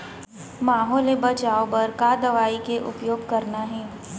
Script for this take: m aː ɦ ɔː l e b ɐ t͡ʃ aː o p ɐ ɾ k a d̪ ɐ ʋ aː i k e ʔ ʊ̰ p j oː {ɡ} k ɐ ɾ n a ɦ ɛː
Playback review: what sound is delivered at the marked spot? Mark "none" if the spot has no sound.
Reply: ɡ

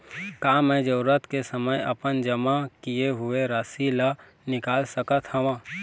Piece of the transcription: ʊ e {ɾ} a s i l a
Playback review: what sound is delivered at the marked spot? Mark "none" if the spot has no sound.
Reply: ɾ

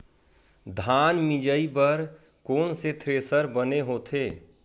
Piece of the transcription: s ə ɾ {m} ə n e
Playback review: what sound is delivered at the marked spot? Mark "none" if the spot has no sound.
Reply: b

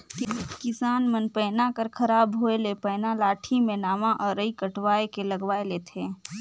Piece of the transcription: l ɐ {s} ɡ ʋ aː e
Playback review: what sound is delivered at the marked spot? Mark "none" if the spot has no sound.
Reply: none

